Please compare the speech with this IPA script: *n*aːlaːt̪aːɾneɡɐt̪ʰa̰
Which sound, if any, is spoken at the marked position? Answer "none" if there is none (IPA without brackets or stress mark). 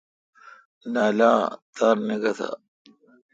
n